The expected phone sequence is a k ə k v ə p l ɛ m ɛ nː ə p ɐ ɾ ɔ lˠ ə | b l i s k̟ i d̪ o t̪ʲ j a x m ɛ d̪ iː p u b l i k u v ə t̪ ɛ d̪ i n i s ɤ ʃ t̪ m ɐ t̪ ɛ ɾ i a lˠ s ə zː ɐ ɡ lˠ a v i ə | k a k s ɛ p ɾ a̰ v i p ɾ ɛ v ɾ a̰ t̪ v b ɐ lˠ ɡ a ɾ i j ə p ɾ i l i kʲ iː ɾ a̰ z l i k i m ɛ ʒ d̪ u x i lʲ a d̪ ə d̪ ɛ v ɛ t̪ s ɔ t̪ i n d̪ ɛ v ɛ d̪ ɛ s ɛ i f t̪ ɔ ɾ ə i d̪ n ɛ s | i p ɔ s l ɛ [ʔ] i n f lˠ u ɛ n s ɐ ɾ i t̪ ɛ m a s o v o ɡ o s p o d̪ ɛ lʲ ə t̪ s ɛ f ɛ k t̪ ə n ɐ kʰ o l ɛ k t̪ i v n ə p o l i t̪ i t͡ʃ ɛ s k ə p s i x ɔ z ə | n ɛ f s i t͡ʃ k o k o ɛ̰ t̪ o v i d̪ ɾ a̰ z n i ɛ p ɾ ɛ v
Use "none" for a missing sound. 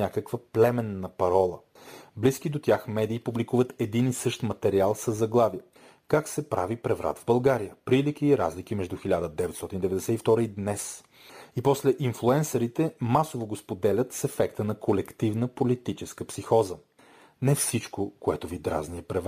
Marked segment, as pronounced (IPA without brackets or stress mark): ʔ